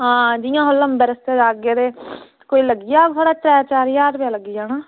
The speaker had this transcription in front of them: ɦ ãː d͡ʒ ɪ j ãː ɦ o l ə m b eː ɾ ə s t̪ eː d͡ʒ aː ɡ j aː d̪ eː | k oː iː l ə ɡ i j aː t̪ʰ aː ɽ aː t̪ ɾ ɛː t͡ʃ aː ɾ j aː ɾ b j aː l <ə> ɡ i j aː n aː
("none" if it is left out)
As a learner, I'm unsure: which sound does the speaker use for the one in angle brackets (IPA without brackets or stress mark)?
ə